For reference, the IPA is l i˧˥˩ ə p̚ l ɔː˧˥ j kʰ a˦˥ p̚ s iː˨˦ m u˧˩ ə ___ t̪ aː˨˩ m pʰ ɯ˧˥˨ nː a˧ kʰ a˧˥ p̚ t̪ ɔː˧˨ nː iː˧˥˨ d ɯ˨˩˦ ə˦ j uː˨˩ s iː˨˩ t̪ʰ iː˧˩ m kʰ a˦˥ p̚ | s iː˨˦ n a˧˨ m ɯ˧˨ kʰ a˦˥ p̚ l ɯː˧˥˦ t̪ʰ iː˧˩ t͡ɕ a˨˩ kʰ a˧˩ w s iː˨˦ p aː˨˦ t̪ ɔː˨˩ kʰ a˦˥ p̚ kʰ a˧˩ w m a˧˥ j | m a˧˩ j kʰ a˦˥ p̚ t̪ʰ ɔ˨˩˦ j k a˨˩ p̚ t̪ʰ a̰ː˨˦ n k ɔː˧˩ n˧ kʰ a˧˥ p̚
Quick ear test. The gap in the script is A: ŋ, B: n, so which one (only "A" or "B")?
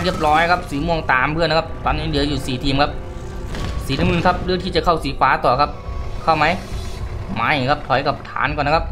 A